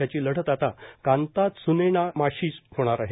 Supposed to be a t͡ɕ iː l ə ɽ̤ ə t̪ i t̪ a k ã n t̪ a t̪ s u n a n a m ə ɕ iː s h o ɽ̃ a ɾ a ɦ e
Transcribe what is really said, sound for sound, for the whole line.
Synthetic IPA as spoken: a t͡ɕ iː l ə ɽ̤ ə t̪ a t̪ a k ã n t̪ a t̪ s u n e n a m a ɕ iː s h o ɽ̃ a ɾ a ɦ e